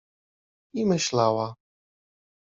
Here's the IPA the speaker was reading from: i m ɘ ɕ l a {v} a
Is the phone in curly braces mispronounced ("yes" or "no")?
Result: yes